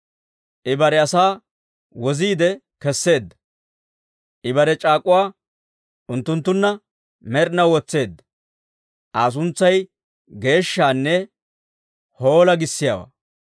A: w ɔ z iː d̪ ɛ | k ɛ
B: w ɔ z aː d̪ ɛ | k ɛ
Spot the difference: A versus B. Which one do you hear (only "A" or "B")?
A